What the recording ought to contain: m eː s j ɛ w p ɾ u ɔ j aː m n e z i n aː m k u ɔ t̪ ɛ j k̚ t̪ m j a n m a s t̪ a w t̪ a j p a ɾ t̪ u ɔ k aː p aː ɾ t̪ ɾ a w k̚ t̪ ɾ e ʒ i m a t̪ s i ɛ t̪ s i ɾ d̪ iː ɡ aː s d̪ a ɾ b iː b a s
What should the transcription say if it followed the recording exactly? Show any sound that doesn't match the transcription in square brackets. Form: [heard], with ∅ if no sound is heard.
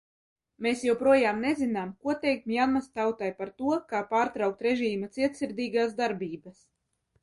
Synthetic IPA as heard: m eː s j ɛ w p ɾ u ɔ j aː m n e z i n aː m k u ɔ t̪ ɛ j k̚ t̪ m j a n m a s t̪ a w t̪ a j p a ɾ t̪ u ɔ k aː p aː ɾ t̪ ɾ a w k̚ t̪ ɾ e ʒ [iː] m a t̪ s i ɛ t̪ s i ɾ d̪ iː ɡ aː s d̪ a ɾ b iː b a s